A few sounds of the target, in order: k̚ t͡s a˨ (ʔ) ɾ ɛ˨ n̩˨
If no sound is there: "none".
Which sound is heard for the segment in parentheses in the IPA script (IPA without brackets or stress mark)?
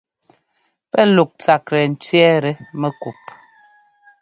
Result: k